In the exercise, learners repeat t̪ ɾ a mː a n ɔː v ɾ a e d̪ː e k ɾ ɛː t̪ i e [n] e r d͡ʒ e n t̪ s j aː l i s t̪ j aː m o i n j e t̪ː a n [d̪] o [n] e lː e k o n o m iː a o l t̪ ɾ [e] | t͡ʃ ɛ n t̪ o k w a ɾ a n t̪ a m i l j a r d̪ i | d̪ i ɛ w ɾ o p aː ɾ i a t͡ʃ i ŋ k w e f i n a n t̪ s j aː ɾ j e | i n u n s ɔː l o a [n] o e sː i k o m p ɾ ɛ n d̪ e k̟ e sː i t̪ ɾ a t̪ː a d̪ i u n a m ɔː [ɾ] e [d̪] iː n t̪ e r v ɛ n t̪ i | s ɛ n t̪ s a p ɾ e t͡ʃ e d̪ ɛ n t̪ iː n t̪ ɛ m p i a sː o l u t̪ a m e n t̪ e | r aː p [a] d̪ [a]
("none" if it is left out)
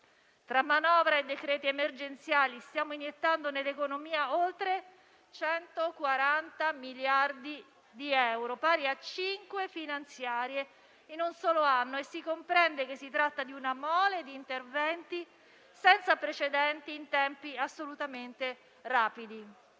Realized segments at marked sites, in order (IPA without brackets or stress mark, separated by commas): m, d̪, n, e, nː, l, d̪, i, i